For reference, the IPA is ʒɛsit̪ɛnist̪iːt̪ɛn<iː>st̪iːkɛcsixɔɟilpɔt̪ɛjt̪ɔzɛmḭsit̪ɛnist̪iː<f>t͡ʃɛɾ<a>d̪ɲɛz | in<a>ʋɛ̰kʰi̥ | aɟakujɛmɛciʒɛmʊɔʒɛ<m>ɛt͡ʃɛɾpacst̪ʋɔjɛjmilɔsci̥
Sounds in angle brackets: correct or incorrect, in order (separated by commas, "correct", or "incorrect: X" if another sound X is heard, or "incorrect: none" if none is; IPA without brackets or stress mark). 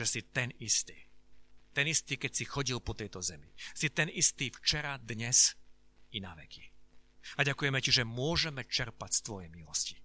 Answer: incorrect: i, correct, correct, correct, correct